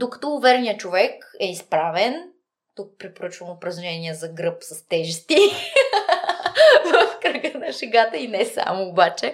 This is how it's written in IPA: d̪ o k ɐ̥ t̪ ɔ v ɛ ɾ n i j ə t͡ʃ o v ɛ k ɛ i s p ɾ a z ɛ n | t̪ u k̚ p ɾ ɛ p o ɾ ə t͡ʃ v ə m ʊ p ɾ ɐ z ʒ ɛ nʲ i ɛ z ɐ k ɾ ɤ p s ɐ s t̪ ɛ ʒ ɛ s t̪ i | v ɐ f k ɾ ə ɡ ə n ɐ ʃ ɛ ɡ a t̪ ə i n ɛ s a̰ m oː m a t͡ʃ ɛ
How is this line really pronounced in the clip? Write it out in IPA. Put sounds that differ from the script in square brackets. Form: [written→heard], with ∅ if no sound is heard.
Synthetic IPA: d̪ o k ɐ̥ t̪ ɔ v ɛ ɾ n i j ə t͡ʃ o v ɛ k ɛ i s p ɾ a [z→v] ɛ n | t̪ u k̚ p ɾ ɛ p o ɾ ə t͡ʃ v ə m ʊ p ɾ ɐ z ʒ ɛ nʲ i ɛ z ɐ [k→ɡ] ɾ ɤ p s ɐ s t̪ ɛ ʒ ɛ s t̪ i | v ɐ f k ɾ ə ɡ ə n ɐ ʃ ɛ ɡ a t̪ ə i n ɛ s a̰ m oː [m→b] a t͡ʃ ɛ